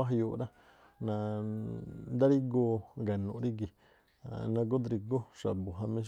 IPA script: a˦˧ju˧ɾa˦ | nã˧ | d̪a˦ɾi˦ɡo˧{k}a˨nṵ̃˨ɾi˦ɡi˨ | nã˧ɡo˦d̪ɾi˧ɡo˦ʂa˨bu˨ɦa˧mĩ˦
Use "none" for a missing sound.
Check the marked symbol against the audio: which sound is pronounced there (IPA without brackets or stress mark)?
ɡ